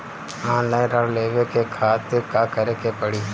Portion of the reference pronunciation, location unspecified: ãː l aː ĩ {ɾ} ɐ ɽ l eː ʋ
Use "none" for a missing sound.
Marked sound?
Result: ɾ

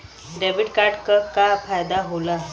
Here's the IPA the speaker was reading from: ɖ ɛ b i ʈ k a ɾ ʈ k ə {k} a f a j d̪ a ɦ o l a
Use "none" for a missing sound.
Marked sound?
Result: k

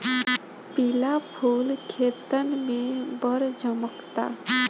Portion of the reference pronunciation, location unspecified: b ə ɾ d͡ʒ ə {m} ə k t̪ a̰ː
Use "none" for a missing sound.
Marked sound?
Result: m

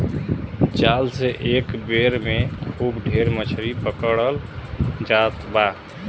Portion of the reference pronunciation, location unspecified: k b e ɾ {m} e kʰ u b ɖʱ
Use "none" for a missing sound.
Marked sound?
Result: m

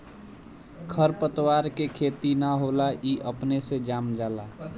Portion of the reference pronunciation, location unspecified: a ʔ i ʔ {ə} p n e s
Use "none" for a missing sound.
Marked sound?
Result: ə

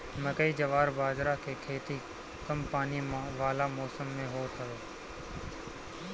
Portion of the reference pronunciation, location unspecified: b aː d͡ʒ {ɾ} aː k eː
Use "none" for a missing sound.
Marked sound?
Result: ɾ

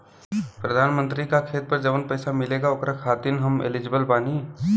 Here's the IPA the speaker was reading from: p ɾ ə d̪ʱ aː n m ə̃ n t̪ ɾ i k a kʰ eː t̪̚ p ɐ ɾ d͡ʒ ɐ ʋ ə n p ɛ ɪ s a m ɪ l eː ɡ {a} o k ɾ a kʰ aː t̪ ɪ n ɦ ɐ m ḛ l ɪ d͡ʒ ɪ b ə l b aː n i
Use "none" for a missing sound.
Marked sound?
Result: a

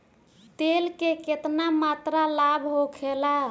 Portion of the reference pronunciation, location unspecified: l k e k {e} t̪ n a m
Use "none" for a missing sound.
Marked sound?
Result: e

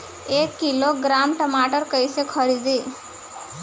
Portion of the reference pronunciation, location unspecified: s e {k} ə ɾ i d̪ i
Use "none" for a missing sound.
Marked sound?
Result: kʰ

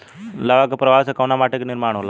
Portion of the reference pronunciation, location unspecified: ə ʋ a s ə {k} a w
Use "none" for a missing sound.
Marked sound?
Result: k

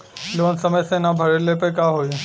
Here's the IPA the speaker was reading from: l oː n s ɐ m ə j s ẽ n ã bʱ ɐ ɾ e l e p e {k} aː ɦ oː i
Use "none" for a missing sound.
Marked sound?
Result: k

